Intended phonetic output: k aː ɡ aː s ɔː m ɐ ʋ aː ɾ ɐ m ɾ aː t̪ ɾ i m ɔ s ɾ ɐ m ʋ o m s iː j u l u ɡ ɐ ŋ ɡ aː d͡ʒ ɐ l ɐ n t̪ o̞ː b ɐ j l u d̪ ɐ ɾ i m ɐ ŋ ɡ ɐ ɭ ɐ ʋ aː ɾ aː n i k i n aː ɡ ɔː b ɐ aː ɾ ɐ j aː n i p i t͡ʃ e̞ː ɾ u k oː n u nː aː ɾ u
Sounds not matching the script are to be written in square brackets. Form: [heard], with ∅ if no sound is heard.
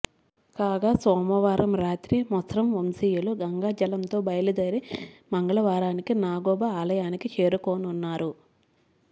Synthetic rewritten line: k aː ɡ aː s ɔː m ɐ ʋ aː ɾ ɐ m ɾ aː t̪ ɾ i m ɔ s ɾ ɐ m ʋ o m s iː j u l u ɡ ɐ ŋ ɡ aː d͡ʒ ɐ l ɐ n t̪ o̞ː b ɐ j l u d̪ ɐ ɾ i m ɐ ŋ ɡ ɐ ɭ ɐ ʋ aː ɾ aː n i k i n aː ɡ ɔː b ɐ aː [l] ɐ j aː n i [k] i t͡ʃ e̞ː ɾ u k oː n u nː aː ɾ u